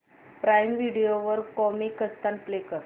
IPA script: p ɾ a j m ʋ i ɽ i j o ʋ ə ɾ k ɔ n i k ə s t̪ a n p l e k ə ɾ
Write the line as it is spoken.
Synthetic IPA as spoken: p ɾ a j m ʋ i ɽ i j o ʋ ə ɾ k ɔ m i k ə s t̪ a n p l e k ə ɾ